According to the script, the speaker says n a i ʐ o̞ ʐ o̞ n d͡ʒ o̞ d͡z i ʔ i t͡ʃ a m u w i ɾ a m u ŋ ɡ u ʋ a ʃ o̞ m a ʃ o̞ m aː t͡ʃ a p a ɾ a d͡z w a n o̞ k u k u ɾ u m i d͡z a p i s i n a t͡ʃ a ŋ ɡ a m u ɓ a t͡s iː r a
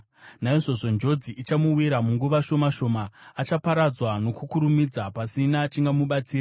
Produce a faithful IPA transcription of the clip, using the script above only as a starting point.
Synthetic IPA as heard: n a i ʐ o̞ ʐ o̞ n d͡ʒ o̞ d͡z i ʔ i t͡ʃ a m u w i ɾ a m u ŋ ɡ u ʋ a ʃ o̞ m a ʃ o̞ m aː t͡ʃ a p a ɾ a d͡z w a n o̞ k u k u ɾ u m i d͡z a p a s i n a t͡ʃ i ŋ ɡ a m u ɓ a t͡s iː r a